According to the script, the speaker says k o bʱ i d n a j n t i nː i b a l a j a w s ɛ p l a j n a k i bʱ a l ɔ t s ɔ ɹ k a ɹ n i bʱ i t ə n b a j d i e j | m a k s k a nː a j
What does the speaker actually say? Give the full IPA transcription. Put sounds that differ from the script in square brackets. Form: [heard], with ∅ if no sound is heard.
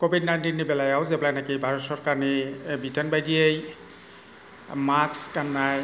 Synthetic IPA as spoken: k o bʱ i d n a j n t i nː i b [ɛ] l a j a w [z] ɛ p l a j n a k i bʱ a [ɹ] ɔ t s ɔ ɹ k a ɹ n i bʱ i t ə n b a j d i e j | m a k s k a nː a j